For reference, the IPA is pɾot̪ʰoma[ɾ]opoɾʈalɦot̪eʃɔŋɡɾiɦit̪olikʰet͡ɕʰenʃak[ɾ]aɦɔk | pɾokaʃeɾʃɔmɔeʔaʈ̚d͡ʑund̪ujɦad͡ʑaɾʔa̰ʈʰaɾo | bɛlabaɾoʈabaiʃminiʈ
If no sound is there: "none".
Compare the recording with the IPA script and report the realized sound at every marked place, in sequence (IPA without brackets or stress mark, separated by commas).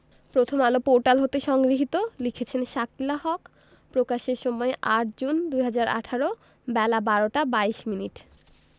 l, l